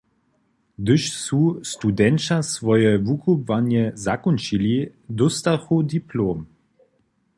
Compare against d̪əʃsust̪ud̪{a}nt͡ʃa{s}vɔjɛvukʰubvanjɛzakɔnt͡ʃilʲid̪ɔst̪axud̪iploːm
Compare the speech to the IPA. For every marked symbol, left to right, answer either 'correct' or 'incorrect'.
incorrect: ɛ, correct

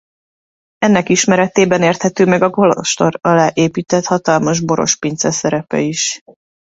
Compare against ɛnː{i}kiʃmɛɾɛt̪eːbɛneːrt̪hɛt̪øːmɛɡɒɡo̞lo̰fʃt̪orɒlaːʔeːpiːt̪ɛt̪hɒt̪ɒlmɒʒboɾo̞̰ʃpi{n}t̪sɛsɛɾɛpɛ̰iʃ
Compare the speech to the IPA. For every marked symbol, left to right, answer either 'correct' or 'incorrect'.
incorrect: ɛ, correct

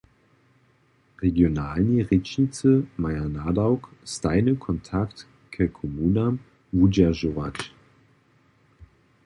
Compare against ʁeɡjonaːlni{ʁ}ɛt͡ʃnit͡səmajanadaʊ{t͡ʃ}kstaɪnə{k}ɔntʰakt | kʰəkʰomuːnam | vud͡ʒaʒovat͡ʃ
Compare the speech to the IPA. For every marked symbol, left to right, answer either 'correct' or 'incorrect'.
correct, incorrect: none, incorrect: kʰ

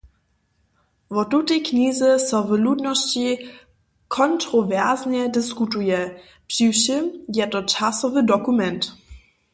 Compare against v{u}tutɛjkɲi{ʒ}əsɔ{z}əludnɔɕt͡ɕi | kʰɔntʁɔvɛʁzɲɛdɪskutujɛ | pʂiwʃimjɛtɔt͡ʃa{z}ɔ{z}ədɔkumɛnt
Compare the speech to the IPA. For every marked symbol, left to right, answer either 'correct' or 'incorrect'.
incorrect: ɔ, incorrect: z, incorrect: v, incorrect: s, incorrect: v

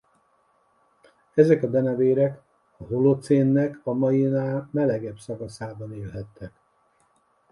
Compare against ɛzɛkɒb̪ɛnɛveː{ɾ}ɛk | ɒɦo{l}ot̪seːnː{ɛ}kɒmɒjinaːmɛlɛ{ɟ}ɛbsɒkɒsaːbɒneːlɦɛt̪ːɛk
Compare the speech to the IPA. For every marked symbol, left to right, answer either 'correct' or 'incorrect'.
correct, correct, correct, incorrect: ɡ

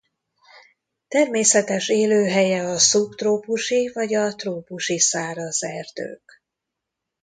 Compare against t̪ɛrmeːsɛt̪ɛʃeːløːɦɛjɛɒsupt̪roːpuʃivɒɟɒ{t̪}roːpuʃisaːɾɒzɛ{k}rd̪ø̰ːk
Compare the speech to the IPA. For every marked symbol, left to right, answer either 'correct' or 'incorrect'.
correct, incorrect: none

